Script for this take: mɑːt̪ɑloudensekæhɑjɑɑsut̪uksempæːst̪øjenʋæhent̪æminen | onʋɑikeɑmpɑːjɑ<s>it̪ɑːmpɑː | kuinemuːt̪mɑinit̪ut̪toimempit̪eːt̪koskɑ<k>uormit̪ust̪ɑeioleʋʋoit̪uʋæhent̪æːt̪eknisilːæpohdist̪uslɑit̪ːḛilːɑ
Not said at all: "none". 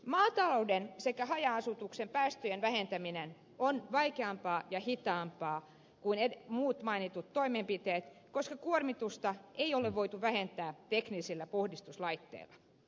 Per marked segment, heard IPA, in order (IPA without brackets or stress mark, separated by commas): h, k